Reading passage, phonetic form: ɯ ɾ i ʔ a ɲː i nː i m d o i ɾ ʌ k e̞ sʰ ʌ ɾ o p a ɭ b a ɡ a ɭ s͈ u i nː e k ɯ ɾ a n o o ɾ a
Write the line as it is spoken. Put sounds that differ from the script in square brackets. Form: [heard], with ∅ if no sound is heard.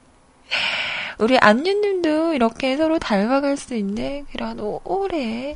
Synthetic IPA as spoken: [u] ɾ i ʔ a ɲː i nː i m d o i ɾ ʌ [kʰ] e̞ sʰ ʌ ɾ o [t] a ɭ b a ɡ a ɭ s͈ u i nː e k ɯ ɾ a n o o ɾ [e]